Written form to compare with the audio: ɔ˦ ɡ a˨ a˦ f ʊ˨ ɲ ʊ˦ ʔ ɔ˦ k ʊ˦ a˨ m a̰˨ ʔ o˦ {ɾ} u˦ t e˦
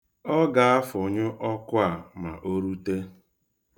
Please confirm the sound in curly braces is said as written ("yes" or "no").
yes